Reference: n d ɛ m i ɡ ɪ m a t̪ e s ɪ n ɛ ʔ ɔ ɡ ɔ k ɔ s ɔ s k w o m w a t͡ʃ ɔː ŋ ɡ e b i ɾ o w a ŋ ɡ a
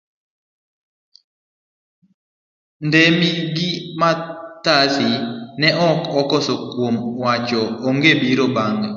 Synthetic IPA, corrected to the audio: n d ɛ m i ɡ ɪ m a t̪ a s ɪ n ɛ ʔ ɔ k ɔ k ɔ s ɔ k w o m w a t͡ʃ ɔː ŋ ɡ e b i ɾ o b a ŋ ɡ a